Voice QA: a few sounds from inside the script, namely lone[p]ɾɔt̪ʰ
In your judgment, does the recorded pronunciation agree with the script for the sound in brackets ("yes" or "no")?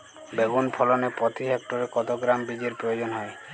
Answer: yes